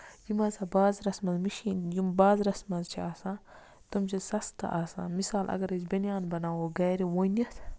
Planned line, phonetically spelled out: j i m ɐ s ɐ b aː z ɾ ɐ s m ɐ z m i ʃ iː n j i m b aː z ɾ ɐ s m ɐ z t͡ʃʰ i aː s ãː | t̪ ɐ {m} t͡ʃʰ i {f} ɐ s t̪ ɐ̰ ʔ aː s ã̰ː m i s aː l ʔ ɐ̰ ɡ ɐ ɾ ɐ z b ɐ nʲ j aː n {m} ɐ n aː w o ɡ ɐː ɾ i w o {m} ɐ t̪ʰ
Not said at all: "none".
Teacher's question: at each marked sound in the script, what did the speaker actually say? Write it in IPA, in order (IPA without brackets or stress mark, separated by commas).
m, s, b, n